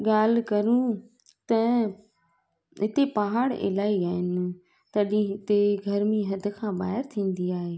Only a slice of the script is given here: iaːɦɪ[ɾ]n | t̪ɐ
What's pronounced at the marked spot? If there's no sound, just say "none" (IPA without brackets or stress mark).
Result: none